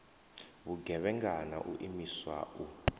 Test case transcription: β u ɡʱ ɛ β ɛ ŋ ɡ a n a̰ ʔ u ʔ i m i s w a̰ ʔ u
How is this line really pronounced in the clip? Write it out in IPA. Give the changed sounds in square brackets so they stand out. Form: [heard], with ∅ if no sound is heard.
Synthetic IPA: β u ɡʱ ɛ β ɛ ŋ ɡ a n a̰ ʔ u ʔ i m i s w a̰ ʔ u